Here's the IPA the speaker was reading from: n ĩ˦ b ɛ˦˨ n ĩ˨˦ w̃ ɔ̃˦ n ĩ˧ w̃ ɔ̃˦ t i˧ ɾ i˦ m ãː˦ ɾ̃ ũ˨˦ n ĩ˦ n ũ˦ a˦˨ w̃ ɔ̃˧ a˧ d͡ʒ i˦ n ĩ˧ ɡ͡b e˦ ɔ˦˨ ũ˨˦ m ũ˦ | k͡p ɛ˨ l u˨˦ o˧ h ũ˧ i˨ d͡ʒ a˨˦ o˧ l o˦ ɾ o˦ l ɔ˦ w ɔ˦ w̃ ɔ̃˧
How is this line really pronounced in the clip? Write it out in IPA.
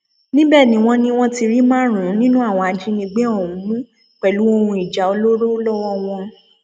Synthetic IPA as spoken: n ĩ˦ b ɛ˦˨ n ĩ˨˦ w̃ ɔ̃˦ n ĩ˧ w̃ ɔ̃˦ t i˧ ɾ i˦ m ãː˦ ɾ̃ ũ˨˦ n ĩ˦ n ũ˦ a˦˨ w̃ ɔ̃˧ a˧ d͡ʒ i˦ n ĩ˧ ɡ͡b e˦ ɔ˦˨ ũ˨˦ m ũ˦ | k͡p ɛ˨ l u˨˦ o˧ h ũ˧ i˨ d͡ʒ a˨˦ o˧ l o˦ ɾ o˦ l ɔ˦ w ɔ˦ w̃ ɔ̃˧